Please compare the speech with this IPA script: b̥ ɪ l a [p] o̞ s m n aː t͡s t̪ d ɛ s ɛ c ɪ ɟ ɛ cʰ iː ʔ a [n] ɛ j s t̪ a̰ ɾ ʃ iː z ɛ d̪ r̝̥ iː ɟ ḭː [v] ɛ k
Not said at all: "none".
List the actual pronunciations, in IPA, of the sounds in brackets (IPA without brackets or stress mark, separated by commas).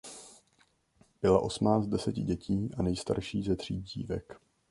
ʔ, n, v